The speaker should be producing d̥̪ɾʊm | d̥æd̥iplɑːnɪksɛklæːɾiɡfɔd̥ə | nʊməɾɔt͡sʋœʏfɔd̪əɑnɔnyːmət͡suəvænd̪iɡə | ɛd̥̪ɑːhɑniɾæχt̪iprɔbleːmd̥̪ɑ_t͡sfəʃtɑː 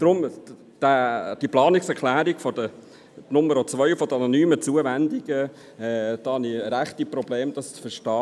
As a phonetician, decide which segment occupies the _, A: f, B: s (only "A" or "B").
B